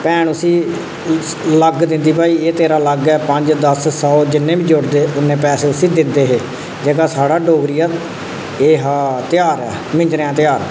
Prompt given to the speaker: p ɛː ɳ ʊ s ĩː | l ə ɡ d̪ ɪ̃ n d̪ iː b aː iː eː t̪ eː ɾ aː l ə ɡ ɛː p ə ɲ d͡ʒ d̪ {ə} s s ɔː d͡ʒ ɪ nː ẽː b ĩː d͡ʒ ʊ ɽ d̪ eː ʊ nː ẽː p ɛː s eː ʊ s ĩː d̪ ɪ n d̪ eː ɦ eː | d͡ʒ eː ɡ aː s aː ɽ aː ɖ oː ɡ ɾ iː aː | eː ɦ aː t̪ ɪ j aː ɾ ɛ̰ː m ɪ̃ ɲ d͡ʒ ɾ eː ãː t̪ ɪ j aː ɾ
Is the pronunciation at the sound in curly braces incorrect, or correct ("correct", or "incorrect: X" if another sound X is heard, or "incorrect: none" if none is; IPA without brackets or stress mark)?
correct